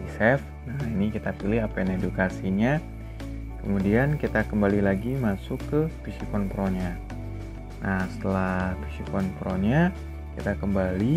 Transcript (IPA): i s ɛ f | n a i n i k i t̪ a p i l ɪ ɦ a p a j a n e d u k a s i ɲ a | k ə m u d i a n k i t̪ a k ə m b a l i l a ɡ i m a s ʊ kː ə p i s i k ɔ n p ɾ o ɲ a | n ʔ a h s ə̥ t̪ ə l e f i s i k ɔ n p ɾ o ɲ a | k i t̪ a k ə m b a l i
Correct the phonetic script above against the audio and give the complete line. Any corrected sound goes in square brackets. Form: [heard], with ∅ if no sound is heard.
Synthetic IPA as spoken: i s ɛ f | n a i n i k i t̪ a p i l ɪ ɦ a p a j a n e d u k a s i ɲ a | k ə m u d i a n k i t̪ a k ə m b a l i l a ɡ i m a s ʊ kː ə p i s i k ɔ n p ɾ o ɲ a | n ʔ a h s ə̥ t̪ ə l [a] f i s i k ɔ n p ɾ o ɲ a | k i t̪ a k ə m b a l i